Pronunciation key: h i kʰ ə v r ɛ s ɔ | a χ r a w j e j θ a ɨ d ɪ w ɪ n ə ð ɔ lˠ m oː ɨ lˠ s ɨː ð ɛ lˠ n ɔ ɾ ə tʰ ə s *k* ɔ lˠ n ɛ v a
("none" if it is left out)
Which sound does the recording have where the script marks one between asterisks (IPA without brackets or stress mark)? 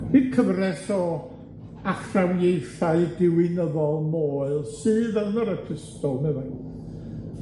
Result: t